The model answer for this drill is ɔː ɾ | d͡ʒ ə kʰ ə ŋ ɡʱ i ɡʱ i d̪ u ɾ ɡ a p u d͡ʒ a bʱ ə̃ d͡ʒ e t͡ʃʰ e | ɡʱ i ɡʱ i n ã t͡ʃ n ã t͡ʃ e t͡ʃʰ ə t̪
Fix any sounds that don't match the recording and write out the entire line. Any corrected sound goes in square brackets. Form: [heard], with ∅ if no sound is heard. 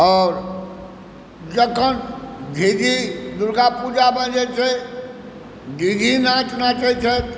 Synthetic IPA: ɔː ɾ | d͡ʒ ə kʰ ə [n] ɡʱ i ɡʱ i d̪ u ɾ ɡ a p u d͡ʒ a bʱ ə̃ d͡ʒ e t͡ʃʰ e | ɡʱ i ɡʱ i n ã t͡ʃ n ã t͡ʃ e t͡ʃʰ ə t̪